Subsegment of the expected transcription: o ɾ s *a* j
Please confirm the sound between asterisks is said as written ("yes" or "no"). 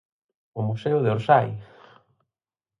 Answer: yes